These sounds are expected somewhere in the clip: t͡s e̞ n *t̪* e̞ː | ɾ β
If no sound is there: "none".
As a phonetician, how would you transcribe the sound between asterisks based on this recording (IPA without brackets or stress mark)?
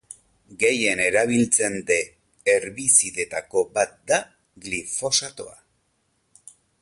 d̪